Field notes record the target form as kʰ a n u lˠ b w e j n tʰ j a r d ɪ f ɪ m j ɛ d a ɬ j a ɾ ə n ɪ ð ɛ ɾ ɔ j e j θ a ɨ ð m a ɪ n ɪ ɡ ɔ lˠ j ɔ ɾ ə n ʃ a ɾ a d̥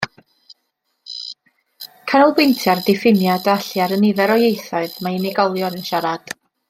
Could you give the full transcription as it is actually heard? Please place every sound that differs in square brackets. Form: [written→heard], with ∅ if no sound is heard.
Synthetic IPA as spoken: kʰ a n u lˠ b w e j n tʰ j a r d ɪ f ɪ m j [ɛ→a] d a ɬ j a ɾ ə n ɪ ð ɛ ɾ ɔ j e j θ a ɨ ð m a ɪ n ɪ ɡ ɔ lˠ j ɔ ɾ ə n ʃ a ɾ a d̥